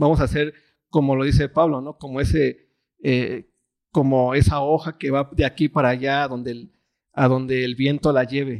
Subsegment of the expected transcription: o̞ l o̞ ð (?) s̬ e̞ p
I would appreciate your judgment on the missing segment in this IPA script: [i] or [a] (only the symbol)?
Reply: i